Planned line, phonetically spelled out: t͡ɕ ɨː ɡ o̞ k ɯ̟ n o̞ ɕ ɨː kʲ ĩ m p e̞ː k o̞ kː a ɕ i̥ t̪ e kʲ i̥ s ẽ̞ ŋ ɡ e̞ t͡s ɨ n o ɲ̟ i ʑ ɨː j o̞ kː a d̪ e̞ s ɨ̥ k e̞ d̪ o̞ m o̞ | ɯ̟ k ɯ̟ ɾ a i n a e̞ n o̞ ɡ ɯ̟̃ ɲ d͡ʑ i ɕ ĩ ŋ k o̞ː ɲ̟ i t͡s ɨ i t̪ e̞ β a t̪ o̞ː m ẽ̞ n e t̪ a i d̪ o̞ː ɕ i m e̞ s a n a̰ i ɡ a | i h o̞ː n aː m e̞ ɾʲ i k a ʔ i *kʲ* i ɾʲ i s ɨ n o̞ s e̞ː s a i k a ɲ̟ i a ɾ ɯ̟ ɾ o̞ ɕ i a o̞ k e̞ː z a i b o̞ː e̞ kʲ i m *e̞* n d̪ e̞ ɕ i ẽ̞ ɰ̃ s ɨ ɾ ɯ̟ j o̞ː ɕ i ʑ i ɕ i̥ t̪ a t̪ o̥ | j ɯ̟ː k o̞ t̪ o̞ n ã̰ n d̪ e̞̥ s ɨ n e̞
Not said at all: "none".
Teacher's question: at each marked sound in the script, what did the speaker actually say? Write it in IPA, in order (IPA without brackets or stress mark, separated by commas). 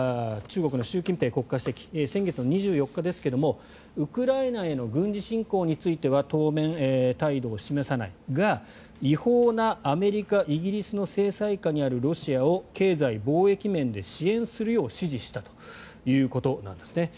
ɡʲ, ẽ̞